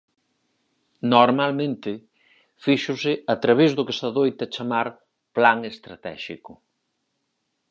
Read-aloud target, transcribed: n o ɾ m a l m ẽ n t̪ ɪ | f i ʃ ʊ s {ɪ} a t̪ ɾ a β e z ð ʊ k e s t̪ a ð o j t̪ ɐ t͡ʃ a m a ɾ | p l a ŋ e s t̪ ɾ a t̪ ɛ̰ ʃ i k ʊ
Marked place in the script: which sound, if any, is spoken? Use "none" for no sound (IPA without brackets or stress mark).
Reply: ɪ